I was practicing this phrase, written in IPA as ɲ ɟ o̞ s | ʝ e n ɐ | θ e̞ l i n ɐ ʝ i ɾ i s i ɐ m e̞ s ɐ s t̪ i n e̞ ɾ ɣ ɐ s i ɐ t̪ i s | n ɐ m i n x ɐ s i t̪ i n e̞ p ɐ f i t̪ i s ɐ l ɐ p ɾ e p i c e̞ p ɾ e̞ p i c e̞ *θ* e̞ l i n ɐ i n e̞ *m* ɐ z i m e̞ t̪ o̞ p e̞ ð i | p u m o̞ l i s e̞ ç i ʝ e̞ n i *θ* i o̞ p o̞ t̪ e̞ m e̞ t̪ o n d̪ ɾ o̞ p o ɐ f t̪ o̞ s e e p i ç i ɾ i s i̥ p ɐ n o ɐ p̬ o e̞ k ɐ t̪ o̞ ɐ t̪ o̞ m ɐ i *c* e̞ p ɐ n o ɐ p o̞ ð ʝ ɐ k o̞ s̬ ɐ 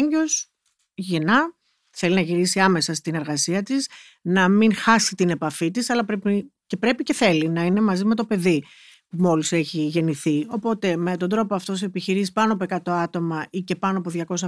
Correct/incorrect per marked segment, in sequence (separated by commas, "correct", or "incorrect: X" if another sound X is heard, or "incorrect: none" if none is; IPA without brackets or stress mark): correct, correct, correct, correct